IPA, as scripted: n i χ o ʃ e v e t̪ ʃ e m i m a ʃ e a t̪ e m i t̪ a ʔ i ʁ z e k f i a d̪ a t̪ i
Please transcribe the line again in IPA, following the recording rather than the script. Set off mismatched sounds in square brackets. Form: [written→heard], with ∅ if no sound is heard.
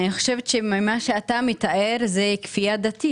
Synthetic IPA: n i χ o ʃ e v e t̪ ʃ e m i m a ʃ e a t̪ [e→a] m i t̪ a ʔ [i→e] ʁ z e k f i a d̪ a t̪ i